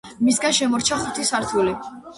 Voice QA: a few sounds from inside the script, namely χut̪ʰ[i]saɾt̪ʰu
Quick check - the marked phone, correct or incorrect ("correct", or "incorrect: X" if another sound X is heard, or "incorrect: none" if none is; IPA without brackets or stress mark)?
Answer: correct